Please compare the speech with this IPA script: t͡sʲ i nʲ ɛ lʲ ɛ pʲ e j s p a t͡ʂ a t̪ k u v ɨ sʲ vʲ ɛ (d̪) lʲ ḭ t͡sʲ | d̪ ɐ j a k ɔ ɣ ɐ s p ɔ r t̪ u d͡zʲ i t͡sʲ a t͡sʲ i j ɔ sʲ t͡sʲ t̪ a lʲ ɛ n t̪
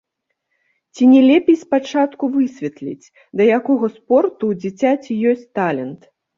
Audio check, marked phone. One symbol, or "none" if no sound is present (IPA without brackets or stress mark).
t̪